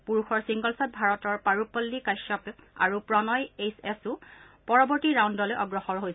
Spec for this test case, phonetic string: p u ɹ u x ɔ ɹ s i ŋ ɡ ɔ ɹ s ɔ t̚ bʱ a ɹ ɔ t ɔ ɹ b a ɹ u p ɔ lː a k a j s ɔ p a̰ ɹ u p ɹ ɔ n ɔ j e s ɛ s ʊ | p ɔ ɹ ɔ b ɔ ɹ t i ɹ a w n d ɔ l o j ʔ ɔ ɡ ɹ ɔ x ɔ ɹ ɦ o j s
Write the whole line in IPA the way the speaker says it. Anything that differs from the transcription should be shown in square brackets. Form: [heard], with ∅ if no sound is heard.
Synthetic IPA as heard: p u ɹ u x ɔ ɹ s i ŋ ɡ ɔ [l] s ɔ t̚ bʱ a ɹ ɔ t ɔ ɹ [p] a ɹ u p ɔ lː [i] k a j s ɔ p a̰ ɹ u p ɹ ɔ n ɔ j e s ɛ s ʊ | p ɔ ɹ ɔ b ɔ ɹ t i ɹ a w n d ɔ l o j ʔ ɔ ɡ ɹ ɔ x ɔ ɹ ɦ o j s